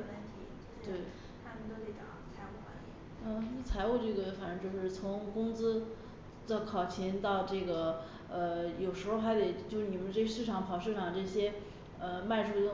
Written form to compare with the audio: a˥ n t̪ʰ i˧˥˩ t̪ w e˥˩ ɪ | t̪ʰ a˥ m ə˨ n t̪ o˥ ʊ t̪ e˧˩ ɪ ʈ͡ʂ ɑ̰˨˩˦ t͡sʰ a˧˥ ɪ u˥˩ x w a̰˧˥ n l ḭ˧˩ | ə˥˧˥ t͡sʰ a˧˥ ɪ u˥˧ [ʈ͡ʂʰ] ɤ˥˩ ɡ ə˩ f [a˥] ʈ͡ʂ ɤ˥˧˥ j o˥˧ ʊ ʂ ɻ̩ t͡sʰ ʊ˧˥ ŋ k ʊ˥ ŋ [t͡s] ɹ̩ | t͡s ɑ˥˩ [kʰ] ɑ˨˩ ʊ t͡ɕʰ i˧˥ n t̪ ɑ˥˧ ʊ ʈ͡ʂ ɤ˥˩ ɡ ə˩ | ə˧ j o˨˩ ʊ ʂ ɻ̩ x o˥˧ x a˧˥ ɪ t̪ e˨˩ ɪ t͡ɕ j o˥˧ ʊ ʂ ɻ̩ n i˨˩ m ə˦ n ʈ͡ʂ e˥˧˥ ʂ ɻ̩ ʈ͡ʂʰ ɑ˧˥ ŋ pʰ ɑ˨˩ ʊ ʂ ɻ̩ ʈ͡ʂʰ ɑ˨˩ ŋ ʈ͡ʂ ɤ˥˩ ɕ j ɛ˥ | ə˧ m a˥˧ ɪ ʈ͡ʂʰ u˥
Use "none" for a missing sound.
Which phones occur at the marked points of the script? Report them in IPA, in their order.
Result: ʈ͡ʂ, a˨˩, t͡s, kʰ

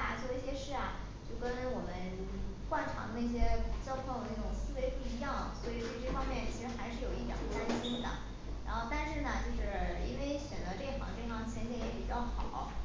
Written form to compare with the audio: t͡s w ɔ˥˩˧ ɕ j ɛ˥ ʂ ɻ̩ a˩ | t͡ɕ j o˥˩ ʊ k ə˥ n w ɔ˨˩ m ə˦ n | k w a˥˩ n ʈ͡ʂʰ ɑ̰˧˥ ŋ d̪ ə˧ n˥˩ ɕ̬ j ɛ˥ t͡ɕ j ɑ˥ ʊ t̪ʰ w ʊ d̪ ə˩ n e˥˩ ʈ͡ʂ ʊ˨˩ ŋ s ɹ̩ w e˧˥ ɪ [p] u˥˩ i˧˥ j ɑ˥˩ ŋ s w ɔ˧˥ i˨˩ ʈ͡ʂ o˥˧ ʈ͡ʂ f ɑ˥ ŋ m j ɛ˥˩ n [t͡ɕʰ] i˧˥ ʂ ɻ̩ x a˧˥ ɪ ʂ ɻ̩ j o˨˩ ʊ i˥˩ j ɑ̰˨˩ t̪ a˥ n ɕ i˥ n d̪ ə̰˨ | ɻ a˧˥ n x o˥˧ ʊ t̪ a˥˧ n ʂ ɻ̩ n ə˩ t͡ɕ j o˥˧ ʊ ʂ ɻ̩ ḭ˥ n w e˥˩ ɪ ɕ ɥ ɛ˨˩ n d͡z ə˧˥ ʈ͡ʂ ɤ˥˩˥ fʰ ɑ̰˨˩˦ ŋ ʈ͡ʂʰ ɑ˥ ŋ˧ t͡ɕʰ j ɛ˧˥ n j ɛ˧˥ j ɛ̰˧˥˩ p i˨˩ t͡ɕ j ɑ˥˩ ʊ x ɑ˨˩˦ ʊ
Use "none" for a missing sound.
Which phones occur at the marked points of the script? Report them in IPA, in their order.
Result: p, t͡ɕʰ

